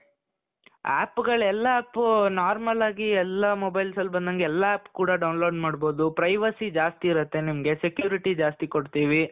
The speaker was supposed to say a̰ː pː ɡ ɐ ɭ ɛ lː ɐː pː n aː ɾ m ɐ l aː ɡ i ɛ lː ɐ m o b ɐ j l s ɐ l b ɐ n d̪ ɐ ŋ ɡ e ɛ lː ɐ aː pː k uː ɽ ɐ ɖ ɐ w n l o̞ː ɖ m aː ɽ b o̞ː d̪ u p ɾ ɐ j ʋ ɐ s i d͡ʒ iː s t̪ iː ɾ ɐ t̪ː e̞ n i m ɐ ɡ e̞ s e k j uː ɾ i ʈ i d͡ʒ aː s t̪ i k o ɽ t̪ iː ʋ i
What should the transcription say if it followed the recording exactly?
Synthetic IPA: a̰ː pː ɡ ɐ ɭ ɛ lː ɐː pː n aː ɾ m ɐ l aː ɡ i ɛ lː ɐ m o b ɐ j l s ɐ l b ɐ n d̪ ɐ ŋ ɡ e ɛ lː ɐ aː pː k uː ɽ ɐ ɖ ɐ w n l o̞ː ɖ m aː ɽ b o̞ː d̪ u p ɾ ɐ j ʋ ɐ s i d͡ʒ aː s t̪ iː ɾ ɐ t̪ː e̞ n i m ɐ ɡ e̞ s e k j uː ɾ i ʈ i d͡ʒ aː s t̪ i k o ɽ t̪ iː ʋ i

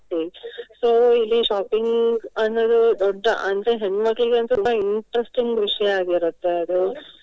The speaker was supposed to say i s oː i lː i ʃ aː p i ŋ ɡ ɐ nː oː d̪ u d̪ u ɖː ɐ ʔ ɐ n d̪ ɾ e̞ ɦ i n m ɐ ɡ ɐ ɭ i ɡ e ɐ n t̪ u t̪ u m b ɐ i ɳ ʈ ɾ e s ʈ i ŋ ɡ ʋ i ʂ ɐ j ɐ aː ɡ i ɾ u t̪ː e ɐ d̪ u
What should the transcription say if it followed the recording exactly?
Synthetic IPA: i s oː i lː i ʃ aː p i ŋ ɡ ɐ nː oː d̪ u d̪ ɔ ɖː ɐ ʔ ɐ n d̪ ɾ e̞ ɦ e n m ɐ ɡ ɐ ɭ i ɡ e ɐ n t̪ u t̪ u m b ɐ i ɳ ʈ ɾ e s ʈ i ŋ ɡ ʋ i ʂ ɐ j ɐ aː ɡ i ɾ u t̪ː e ɐ d̪ u

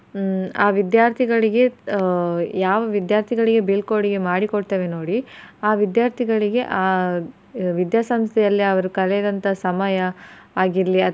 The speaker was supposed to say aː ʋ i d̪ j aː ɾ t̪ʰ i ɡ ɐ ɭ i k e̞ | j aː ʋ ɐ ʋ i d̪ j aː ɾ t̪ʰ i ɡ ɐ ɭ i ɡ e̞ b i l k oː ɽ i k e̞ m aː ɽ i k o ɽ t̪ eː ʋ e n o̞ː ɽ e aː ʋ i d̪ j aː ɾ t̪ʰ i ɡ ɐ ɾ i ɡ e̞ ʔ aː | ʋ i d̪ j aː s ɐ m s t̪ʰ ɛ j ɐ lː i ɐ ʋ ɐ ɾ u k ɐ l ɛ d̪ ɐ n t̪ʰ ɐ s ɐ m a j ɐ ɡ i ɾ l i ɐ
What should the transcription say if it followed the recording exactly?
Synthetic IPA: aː ʋ i d̪ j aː ɾ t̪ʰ i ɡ ɐ ɭ i ɡ e̞ | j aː ʋ ɐ ʋ i d̪ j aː ɾ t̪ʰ i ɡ ɐ ɭ i ɡ e̞ b i l k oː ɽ i ɡ e̞ m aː ɽ i k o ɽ t̪ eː ʋ e n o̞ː ɽ i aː ʋ i d̪ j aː ɾ t̪ʰ i ɡ ɐ ɭ i ɡ e̞ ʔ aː | ʋ i d̪ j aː s ɐ m s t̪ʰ ɛ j ɐ lː i ɐ ʋ ɐ ɾ u k ɐ l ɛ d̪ ɐ n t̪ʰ ɐ s ɐ m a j ɐː ɡ i ɾ l i ɐ

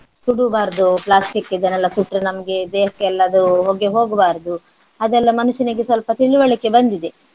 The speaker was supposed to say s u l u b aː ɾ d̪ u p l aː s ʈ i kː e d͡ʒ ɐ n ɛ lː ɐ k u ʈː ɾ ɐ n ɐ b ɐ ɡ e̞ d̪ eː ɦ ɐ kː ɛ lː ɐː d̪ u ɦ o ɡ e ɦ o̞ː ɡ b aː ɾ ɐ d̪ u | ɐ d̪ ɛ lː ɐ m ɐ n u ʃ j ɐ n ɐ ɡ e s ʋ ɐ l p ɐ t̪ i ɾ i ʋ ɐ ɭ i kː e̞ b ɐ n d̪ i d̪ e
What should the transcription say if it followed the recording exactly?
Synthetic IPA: s u ɽ u b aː ɾ d̪ u p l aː s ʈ i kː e d͡ʒ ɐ n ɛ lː ɐ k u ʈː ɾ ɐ n ɐ m ɐ ɡ e̞ d̪ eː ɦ ɐ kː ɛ lː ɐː d̪ u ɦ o ɡ e ɦ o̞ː ɡ b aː ɾ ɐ d̪ u | ɐ d̪ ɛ lː ɐ m ɐ n u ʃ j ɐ n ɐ ɡ e s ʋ ɐ l p ɐ t̪ i ɭ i ʋ ɐ ɭ i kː e̞ b ɐ n d̪ i d̪ e

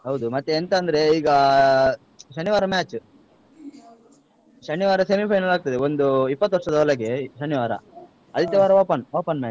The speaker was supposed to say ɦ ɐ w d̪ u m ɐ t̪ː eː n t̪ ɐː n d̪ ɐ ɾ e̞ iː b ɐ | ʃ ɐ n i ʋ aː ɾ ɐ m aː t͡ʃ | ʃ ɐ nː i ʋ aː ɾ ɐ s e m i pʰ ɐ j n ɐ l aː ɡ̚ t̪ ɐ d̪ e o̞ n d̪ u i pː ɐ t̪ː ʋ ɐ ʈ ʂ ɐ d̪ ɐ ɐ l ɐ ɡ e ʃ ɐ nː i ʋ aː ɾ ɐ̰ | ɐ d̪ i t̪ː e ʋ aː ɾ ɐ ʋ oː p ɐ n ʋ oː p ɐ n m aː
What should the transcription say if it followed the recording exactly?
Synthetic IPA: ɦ ɐ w d̪ u m ɐ t̪ː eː n t̪ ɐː n d̪ ɐ ɾ e̞ iː ɡ ɐ | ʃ ɐ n i ʋ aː ɾ ɐ m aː t͡ʃ | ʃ ɐ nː i ʋ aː ɾ ɐ s e m i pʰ ɐ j n ɐ l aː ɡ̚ t̪ ɐ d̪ e o̞ n d̪ u i pː ɐ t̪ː ʋ ɐ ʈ ʂ ɐ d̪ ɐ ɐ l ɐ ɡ e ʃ ɐ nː i ʋ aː ɾ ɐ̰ | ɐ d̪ i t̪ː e ʋ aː ɾ ɐ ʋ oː p ɐ n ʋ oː p ɐ n m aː

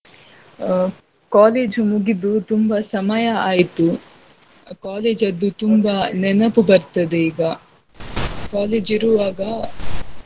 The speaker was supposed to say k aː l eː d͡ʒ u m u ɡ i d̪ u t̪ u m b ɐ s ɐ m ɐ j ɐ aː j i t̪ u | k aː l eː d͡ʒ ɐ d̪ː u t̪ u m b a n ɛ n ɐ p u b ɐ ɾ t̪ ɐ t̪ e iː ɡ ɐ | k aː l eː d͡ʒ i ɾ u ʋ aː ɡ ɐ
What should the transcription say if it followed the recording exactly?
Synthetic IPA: k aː l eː d͡ʒ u m u ɡ i d̪ u t̪ u m b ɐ s ɐ m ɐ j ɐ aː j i t̪ u | k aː l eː d͡ʒ ɐ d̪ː u t̪ u m b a n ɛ n ɐ p u b ɐ ɾ t̪ ɐ d̪ e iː ɡ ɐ | k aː l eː d͡ʒ i ɾ u ʋ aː ɡ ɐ

